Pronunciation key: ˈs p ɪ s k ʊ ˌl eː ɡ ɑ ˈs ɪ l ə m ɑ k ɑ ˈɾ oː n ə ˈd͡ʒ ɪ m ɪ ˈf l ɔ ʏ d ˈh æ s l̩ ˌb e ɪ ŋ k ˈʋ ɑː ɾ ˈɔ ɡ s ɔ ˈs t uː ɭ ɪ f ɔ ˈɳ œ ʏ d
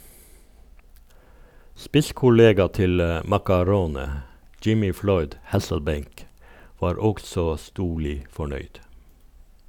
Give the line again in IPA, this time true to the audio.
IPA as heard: ˈs p ɪ s k ʊ ˌl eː ɡ ɑ ˈt ɪ l ə m ɑ k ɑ ˈɾ oː n ə ˈd͡ʒ ɪ m ɪ ˈf l ɔ ʏ d ˈh æ s l̩ ˌb e ɪ ŋ k ˈʋ ɑː ɾ ˈɔ ɡ s ɔ ˈs t uː ɭ ɪ f ɔ ˈɳ œ ʏ d